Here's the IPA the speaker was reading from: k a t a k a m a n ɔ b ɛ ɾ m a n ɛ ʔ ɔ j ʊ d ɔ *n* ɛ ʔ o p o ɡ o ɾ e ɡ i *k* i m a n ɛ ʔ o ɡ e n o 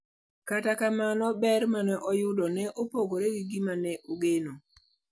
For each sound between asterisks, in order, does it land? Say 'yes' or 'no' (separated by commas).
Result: yes, no